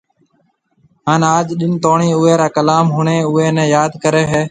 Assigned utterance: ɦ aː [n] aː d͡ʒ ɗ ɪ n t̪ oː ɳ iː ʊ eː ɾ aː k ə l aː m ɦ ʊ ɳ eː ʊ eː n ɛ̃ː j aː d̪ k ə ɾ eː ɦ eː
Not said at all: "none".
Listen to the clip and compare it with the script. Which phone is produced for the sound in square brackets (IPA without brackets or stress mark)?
n